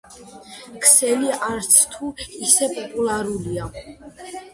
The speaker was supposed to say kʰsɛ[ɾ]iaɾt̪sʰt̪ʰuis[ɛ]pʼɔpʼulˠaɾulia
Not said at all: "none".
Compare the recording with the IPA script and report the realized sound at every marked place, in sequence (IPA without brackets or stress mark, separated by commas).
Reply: l, ɛ